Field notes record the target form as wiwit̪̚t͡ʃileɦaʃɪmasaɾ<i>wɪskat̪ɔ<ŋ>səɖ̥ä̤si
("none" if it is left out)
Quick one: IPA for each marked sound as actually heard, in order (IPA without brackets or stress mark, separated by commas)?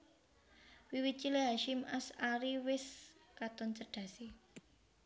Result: i, n